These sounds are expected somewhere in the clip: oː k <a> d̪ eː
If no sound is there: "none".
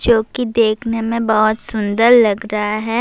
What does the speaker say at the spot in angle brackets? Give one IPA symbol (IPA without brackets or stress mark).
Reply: i